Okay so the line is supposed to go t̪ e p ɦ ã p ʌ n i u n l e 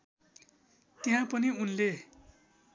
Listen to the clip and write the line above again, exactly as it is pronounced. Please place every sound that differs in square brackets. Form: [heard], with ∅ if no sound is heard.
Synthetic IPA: t̪ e [∅] ɦ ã p ʌ n i u n l e

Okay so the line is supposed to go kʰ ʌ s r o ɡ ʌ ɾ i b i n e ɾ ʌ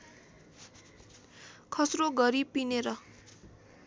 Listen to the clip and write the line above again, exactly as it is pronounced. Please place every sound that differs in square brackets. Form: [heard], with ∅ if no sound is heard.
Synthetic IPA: kʰ ʌ s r o ɡ ʌ ɾ i [p] i n e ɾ ʌ

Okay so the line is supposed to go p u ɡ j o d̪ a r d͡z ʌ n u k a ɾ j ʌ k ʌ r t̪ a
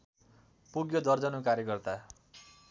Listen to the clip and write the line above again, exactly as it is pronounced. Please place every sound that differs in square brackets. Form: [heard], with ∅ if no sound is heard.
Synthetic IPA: p u ɡ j o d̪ [ʌ] r d͡z ʌ n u k a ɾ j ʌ k ʌ r t̪ a

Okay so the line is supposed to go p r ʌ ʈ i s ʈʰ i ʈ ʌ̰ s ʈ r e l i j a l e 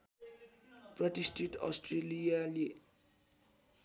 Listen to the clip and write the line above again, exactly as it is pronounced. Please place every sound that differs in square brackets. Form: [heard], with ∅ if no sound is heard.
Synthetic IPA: p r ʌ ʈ i s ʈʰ i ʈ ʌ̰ s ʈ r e l i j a l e

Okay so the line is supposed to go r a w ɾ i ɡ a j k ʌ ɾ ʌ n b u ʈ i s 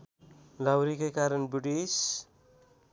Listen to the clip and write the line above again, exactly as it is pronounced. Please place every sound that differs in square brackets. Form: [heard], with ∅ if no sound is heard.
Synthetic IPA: [l] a w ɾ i [k] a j k [a] ɾ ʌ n b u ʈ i s

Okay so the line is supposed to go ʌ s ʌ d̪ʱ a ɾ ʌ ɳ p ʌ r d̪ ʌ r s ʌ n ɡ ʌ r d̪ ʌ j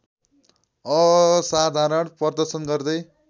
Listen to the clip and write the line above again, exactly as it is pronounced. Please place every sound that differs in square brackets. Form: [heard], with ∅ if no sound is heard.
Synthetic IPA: ʌ s [a] d̪ʱ a ɾ ʌ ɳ p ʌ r d̪ ʌ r s ʌ n ɡ ʌ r d̪ ʌ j

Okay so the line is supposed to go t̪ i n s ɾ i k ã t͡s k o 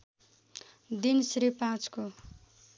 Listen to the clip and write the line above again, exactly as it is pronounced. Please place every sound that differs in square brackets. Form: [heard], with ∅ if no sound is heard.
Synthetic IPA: [d̪] i n s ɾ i [p] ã t͡s k o

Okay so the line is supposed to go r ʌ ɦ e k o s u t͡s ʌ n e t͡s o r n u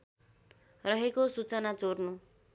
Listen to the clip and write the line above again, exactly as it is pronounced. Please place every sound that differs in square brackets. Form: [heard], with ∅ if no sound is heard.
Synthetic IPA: r ʌ ɦ e k o s u t͡s ʌ n [a] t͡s o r n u

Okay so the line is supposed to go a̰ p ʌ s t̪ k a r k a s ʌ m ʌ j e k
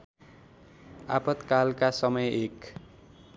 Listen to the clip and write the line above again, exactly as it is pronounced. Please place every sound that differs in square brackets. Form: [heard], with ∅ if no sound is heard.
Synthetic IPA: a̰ p ʌ [∅] t̪ k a [l] k a s ʌ m ʌ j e k

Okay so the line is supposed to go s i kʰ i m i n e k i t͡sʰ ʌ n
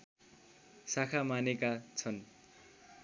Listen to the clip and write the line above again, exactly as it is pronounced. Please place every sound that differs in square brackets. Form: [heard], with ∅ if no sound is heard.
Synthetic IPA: s [a] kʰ [a] m [a] n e k [a] t͡sʰ ʌ n

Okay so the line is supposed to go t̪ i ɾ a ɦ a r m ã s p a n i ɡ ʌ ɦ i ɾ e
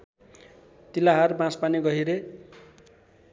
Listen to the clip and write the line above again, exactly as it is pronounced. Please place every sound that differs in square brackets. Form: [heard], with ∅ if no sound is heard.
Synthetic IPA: t̪ i [l] a ɦ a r [b] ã s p a n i ɡ ʌ ɦ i ɾ e

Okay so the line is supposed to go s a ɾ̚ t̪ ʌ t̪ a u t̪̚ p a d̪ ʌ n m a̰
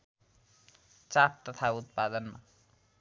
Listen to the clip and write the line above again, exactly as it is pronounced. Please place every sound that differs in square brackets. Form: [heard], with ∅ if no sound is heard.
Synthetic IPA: [t͡s] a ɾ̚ t̪ ʌ [t̪ʰ] a u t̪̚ p a d̪ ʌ n m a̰

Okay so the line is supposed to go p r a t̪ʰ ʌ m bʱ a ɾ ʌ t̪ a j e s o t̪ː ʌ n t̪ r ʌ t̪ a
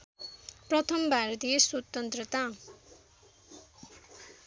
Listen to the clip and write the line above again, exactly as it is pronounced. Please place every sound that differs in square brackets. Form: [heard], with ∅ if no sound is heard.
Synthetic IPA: p r [ʌ] t̪ʰ ʌ m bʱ a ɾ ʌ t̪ [i] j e s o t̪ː ʌ n t̪ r ʌ t̪ a

